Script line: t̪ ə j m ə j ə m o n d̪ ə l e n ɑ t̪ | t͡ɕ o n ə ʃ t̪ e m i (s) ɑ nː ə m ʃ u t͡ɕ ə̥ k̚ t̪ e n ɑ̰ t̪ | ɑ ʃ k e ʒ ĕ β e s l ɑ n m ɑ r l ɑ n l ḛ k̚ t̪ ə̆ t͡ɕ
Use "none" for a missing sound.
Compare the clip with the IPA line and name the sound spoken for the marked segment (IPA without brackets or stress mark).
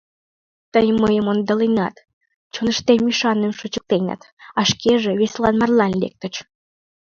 ʃ